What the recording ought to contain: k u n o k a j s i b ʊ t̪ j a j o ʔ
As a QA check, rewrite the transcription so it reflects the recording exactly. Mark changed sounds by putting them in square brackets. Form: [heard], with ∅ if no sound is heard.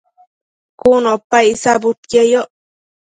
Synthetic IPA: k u n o [p] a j s [a] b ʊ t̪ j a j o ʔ